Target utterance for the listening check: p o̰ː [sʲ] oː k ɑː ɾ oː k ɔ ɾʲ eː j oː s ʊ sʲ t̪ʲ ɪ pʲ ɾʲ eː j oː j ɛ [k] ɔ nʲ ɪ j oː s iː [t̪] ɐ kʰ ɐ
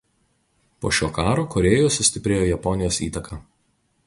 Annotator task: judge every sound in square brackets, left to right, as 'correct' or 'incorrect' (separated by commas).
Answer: incorrect, incorrect, correct